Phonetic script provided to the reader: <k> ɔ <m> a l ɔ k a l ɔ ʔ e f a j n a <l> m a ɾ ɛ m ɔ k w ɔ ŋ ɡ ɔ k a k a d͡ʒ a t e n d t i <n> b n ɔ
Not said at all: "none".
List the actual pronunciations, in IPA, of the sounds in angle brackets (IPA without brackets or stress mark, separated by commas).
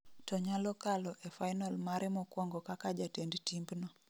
t, ɲ, l, m